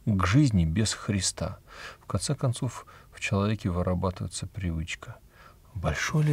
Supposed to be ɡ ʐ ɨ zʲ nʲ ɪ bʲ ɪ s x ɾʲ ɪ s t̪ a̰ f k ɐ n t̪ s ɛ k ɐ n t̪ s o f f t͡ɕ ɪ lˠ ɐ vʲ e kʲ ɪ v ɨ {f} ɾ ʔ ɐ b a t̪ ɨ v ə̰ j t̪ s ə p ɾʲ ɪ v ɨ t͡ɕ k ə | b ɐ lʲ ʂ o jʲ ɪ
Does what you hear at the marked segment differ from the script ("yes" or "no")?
yes